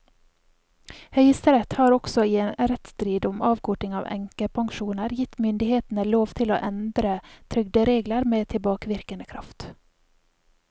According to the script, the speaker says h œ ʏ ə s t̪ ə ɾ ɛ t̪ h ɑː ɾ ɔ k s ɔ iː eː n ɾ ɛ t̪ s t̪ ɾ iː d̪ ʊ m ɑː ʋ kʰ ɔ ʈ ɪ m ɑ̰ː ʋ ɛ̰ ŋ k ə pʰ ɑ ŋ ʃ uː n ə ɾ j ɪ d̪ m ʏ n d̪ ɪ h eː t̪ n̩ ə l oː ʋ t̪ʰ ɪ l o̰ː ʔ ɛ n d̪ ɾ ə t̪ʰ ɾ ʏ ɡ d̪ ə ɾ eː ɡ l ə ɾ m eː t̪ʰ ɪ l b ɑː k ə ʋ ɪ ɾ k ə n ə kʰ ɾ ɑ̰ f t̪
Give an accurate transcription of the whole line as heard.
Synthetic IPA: h œ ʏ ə s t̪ ə ɾ ɛ t̪ h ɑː ɾ ɔ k s ɔ iː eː n ɾ ɛ t̪ s t̪ ɾ iː d̪ ʊ m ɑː ʋ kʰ ɔ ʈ ɪ ŋ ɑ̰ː ʋ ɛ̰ ŋ k ə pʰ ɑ ŋ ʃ uː n ə ɾ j ɪ t̪ m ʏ n d̪ ɪ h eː t̪ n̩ ə l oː ʋ t̪ʰ ɪ l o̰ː ʔ ɛ n d̪ ɾ ə t̪ʰ ɾ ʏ ɡ d̪ ə ɾ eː ɡ l ə ɾ m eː t̪ʰ ɪ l b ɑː k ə ʋ ɪ ɾ k ə n ə kʰ ɾ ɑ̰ f t̪